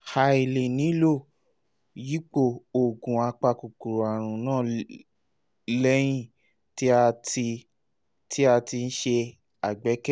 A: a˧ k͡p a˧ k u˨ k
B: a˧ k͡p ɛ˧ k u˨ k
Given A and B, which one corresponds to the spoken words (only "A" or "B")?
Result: A